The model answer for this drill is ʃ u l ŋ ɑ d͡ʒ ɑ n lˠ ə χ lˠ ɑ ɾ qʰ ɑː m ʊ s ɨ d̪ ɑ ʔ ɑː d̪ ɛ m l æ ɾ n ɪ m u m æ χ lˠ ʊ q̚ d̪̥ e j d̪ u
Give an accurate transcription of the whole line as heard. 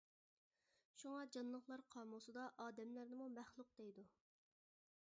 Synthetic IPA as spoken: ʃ u ŋ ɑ d͡ʒ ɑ n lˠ ə χ lˠ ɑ ɾ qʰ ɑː m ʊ s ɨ d̪ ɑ ʔ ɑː d̪ ɛ m l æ ɾ n ɪ m u m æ χ lˠ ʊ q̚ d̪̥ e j d̪ u